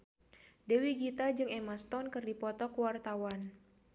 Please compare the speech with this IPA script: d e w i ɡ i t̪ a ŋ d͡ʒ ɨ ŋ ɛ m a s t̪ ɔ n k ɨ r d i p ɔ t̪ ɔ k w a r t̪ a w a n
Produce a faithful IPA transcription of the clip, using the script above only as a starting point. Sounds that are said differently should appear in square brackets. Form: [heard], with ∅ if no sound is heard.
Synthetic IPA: d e w i ɡ i t̪ a [∅] d͡ʒ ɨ ŋ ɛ m a s t̪ ɔ n k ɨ r d i p ɔ t̪ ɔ k w a r t̪ a w a n